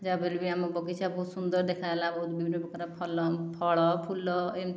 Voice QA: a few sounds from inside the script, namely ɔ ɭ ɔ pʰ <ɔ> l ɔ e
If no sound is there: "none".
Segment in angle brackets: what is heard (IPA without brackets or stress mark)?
u